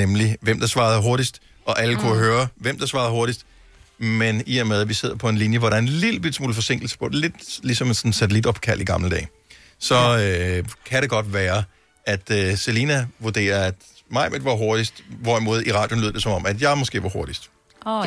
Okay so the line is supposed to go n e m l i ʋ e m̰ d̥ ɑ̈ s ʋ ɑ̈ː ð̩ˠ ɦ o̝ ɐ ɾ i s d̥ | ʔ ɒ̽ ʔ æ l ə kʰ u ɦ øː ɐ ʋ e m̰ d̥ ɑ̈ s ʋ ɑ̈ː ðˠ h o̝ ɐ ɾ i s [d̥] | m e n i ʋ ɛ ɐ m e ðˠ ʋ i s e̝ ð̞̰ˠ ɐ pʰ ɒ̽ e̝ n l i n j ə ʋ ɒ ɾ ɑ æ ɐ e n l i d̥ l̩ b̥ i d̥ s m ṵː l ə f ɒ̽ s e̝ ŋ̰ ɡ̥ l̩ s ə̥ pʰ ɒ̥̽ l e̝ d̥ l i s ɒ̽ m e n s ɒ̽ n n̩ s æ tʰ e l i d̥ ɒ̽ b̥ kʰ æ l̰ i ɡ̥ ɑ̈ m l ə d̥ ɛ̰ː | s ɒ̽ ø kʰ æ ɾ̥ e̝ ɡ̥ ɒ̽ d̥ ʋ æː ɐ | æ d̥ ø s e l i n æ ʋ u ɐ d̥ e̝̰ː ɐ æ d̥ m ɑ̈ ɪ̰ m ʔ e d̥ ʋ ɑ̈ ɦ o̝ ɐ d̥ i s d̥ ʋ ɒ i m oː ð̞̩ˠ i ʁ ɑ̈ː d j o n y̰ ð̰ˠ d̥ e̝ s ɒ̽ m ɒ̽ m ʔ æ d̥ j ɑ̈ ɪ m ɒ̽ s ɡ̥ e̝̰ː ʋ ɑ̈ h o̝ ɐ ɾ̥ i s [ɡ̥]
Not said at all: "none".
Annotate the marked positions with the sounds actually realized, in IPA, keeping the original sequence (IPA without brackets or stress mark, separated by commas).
d̥, d̥